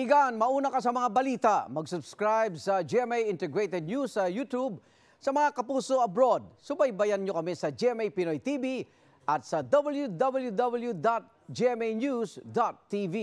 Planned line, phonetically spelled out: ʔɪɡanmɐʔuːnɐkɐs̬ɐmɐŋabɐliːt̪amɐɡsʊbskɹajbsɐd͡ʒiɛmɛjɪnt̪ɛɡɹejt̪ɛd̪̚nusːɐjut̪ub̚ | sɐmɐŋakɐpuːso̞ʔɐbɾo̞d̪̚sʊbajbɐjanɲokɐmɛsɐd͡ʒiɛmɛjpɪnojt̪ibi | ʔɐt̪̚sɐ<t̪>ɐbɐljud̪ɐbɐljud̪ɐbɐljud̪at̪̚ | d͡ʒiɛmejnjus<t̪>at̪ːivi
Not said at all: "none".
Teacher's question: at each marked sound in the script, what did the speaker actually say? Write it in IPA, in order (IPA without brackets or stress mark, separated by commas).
d̪, d̪